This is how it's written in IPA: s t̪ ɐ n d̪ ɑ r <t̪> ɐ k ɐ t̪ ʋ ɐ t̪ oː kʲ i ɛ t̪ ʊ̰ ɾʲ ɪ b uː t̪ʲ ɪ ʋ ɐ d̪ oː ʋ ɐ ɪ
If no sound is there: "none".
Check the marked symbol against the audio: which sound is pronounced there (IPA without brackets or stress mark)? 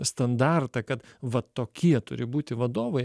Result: t̪